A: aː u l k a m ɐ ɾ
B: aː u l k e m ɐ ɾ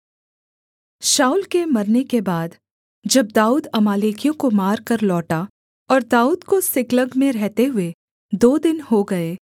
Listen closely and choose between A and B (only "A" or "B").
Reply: B